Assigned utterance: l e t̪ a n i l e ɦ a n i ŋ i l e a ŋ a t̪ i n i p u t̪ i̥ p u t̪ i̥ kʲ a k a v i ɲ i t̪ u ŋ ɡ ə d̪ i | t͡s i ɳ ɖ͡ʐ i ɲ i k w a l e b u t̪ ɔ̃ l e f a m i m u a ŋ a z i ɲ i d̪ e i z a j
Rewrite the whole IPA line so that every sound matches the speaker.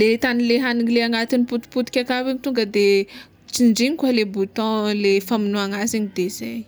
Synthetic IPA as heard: l e t̪ a n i l e ɦ a n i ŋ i l e a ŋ a t̪ i n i p u t̪ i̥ p u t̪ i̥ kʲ a k a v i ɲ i t̪ u ŋ ɡ ə d̪ e | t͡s i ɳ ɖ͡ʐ i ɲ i k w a l e b u t̪ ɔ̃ l e f a m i n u a ŋ a z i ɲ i d̪ e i z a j